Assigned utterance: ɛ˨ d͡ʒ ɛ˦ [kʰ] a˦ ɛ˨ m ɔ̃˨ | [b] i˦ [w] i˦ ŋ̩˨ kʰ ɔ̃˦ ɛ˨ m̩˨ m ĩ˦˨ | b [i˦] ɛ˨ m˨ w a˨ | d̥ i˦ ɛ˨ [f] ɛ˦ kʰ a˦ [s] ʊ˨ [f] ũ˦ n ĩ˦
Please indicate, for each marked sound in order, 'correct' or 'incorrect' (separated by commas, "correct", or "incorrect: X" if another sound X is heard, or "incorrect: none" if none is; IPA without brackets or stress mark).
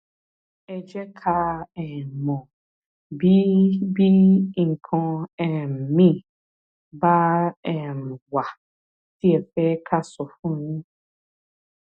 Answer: correct, correct, incorrect: b, incorrect: a˦, correct, correct, correct